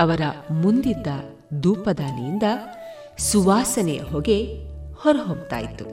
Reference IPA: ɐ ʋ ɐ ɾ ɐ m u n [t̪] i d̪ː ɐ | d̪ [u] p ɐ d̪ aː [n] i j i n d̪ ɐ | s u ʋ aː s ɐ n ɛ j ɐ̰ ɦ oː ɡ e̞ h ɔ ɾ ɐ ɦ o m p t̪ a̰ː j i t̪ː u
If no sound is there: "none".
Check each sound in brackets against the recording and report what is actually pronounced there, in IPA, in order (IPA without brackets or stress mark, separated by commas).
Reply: d̪, uː, n